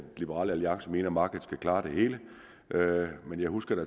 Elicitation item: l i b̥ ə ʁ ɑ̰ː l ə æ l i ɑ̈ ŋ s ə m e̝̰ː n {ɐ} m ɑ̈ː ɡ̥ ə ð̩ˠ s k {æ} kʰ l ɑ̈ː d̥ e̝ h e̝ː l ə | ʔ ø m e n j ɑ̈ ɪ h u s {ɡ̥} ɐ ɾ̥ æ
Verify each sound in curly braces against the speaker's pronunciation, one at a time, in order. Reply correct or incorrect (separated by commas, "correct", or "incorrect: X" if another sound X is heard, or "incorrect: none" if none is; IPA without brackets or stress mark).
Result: correct, correct, correct